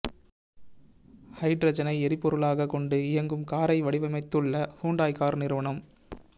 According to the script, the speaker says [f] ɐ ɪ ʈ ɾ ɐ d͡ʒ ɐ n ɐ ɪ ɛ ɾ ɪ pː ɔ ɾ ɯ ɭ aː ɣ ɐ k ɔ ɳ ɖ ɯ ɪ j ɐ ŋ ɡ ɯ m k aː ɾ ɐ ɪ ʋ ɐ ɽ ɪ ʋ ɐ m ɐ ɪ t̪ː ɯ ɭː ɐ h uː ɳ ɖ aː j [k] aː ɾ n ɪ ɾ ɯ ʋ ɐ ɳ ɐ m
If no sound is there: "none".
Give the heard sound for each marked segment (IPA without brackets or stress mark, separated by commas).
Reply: h, k